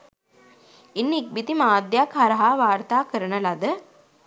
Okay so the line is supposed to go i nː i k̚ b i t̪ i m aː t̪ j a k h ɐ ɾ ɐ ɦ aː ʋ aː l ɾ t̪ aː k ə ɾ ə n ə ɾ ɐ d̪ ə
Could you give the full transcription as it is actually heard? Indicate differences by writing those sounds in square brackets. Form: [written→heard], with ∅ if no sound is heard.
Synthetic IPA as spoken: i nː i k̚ b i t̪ i m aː [t̪→d̪] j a k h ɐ ɾ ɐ ɦ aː ʋ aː [l→∅] ɾ t̪ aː k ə ɾ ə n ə [ɾ→l] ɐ d̪ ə